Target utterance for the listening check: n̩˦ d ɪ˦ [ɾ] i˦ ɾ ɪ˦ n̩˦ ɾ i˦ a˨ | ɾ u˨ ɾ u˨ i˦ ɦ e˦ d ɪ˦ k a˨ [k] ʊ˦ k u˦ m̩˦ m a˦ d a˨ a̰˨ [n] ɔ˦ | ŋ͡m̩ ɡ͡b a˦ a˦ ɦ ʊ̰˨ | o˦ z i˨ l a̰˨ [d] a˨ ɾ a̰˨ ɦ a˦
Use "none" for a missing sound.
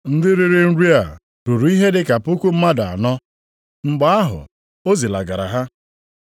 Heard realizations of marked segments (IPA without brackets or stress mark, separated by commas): ɾ, p, n, ɡ